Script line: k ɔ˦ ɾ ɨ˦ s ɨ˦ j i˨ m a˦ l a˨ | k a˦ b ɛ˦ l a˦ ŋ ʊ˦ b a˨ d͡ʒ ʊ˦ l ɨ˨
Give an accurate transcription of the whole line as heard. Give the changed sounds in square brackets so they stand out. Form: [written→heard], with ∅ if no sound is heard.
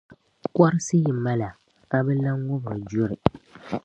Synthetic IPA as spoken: k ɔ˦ ɾ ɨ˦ s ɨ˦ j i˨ m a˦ l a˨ | k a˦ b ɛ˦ l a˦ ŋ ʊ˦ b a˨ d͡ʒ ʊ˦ [l→ɾ] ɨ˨